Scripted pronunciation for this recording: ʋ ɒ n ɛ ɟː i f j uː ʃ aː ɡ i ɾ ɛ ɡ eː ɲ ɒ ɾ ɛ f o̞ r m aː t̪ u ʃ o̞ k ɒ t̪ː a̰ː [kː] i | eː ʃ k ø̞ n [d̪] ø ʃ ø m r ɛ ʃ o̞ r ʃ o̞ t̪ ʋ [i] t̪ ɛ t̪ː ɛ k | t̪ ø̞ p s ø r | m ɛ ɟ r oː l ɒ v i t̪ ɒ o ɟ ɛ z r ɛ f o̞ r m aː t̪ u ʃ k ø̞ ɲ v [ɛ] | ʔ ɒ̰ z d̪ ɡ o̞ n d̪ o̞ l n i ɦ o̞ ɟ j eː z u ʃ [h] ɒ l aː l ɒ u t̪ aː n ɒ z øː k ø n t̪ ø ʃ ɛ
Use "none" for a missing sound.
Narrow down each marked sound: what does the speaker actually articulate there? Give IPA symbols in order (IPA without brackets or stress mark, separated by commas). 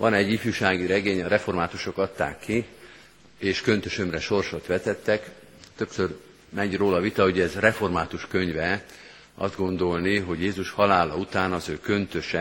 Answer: kː, t̪, ɛ, ɛ, h